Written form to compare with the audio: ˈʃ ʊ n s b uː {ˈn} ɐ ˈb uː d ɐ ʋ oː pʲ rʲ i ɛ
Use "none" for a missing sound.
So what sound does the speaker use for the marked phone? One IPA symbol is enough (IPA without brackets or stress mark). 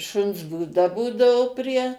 d